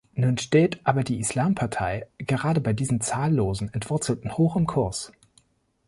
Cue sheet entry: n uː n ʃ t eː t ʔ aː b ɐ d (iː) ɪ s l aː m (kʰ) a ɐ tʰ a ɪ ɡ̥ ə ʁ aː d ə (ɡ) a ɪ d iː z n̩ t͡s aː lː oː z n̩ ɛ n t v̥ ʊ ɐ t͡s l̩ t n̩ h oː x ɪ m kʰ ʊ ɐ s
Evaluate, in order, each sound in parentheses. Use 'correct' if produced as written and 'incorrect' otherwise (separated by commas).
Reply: correct, incorrect, incorrect